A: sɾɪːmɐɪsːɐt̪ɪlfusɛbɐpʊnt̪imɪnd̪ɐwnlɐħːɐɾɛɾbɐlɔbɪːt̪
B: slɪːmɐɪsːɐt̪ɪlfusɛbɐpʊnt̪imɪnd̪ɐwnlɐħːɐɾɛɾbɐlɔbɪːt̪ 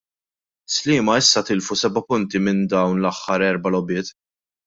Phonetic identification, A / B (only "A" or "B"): B